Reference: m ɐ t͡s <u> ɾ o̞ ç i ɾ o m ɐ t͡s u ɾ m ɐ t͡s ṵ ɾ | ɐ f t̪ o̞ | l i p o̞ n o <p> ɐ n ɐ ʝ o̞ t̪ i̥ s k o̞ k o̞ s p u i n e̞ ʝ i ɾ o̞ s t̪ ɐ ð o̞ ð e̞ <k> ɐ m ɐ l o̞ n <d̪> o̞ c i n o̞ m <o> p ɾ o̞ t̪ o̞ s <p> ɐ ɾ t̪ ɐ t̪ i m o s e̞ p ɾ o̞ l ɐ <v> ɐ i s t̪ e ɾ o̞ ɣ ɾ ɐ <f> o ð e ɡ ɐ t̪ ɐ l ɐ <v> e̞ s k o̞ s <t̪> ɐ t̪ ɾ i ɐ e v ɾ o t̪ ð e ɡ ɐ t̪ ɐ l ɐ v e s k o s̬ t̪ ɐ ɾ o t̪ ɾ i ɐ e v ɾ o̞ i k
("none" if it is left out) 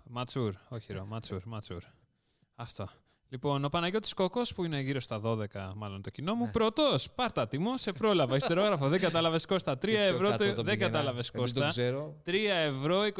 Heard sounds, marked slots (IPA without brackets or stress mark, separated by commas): u, p, k, t̪, u, p, v, f, v, t̪